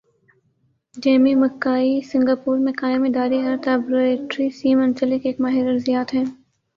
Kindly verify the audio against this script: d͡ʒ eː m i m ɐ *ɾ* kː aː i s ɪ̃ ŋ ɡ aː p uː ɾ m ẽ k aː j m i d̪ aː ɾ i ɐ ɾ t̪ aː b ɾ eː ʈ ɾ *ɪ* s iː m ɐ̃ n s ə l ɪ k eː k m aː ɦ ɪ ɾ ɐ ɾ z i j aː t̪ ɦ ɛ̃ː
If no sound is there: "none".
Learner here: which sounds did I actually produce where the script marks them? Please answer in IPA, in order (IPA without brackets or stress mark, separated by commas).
none, i